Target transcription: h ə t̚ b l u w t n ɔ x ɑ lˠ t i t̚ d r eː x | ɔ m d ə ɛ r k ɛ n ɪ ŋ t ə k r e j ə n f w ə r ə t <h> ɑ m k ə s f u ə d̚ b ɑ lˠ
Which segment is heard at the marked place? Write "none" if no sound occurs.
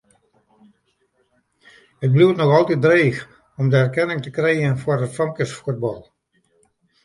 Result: f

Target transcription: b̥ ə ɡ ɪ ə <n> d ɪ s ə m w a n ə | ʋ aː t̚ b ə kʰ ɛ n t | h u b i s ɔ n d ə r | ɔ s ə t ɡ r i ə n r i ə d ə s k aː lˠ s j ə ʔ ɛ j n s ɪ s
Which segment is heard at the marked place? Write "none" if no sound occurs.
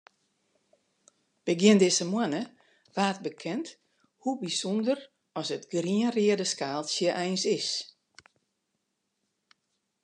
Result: n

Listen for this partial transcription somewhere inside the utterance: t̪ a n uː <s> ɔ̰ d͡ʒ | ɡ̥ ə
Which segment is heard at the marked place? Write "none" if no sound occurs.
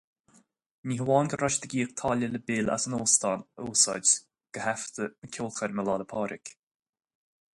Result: s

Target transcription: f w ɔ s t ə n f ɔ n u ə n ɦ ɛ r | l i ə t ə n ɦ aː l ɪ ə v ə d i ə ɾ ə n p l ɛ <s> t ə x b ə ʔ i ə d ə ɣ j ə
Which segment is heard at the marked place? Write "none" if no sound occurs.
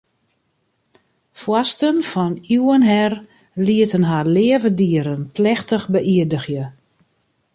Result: x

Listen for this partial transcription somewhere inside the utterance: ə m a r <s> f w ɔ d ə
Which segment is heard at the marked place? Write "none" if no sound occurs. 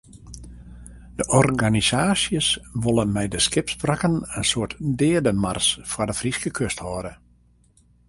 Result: s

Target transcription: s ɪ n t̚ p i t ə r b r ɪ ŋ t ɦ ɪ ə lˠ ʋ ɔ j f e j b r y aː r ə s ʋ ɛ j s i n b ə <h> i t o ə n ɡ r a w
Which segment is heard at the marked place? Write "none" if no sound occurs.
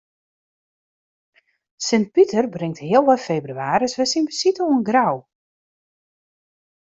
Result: s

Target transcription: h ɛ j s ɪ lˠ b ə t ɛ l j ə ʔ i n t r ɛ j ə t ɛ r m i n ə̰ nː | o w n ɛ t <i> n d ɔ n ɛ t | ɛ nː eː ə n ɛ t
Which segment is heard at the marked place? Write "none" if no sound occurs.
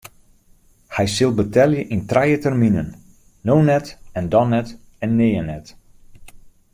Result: ɛ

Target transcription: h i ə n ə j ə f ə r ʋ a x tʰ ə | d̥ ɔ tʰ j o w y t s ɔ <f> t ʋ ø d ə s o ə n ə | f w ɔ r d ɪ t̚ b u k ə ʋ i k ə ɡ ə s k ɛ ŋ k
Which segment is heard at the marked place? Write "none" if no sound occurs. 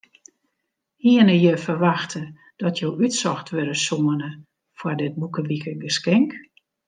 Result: x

